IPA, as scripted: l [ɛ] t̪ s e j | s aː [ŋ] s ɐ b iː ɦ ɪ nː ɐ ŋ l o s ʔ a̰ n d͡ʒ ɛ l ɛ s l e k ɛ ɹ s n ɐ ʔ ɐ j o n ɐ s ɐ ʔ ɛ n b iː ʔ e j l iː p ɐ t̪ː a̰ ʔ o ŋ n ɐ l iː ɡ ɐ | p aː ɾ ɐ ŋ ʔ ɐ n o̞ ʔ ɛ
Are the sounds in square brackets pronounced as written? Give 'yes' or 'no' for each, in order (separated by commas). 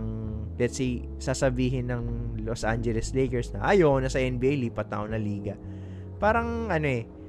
yes, no